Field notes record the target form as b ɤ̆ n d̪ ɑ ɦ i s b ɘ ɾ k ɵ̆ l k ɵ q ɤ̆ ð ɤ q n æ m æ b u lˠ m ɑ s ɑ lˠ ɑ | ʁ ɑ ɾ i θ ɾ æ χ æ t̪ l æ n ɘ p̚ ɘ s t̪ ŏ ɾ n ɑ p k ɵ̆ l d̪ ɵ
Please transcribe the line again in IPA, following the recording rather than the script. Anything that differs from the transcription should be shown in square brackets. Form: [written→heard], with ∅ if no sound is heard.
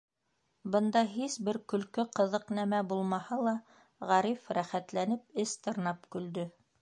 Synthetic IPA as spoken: b ɤ̆ n d̪ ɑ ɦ i s b ɘ ɾ k ɵ̆ l k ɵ q ɤ̆ ð ɤ q n æ m æ b u lˠ m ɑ [s→h] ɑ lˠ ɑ | ʁ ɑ ɾ i [θ→f] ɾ æ χ æ t̪ l æ n ɘ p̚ ɘ s t̪ [ŏ→ɤ̆] ɾ n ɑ p k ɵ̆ l d̪ ɵ